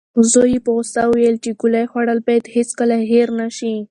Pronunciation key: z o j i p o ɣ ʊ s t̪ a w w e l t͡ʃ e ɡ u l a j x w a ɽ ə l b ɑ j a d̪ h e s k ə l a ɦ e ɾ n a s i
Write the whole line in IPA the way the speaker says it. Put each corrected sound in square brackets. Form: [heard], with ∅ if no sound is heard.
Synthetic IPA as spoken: z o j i p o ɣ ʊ s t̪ a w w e l t͡ʃ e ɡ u l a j x w a ɽ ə l b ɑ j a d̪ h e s k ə l a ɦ e ɾ n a [ʃ] i